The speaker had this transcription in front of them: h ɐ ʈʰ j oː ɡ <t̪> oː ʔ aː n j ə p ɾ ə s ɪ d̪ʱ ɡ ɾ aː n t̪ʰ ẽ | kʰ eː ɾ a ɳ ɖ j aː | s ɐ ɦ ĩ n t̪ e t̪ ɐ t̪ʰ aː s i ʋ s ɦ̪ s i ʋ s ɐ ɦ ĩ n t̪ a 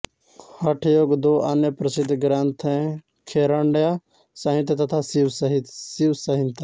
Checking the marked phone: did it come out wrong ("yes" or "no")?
yes